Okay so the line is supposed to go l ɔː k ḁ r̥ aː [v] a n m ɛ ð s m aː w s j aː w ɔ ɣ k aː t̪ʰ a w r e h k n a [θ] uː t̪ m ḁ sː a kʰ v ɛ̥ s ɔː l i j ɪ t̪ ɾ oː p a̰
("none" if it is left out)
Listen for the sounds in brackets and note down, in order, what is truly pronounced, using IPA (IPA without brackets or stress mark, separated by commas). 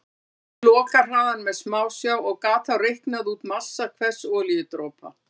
ð, ð